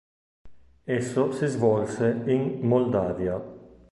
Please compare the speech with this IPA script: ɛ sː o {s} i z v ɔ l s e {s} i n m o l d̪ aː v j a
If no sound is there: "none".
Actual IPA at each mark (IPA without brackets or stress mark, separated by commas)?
s, none